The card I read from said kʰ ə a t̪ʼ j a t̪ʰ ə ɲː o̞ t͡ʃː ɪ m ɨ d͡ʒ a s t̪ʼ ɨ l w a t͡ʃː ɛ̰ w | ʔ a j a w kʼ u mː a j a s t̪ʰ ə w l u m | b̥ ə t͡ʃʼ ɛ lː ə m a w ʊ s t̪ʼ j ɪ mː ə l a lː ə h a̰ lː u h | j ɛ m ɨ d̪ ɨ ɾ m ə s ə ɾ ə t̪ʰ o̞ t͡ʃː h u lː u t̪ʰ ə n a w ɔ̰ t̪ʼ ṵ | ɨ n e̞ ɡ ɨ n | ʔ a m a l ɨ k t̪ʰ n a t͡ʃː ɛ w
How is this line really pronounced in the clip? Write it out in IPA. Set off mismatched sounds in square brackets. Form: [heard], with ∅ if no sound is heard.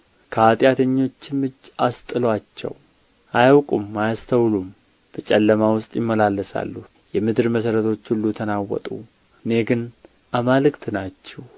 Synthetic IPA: kʰ ə a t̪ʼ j a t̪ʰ ə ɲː o̞ t͡ʃː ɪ m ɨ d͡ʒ a s t̪ʼ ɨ l w a t͡ʃː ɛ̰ w | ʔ a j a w kʼ u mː a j a s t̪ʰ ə w l u m | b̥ ə t͡ʃʼ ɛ lː ə m a w ʊ s t̪ʼ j ɪ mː ə l a lː ə [s] a̰ lː u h | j ɛ m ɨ d̪ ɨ ɾ m ə s ə ɾ ə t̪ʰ o̞ t͡ʃː h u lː u t̪ʰ ə n a w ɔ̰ t̪ʼ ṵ | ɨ n e̞ ɡ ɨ n | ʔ a m a l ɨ k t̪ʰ n a t͡ʃː ɛ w